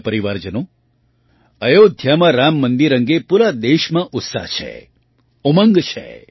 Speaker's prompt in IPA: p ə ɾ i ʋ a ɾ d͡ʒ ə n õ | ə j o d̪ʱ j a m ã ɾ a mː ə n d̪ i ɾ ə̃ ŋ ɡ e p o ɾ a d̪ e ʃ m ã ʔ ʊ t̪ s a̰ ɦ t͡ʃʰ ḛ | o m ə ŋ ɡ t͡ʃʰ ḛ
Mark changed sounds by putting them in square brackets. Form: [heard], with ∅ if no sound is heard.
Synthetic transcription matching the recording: p ə ɾ i ʋ a ɾ d͡ʒ ə n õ | ə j o d̪ʱ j a m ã ɾ a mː ə n d̪ i ɾ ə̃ ŋ ɡ e p [u] ɾ a d̪ e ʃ m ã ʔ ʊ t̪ s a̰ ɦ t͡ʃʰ ḛ | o m ə ŋ ɡ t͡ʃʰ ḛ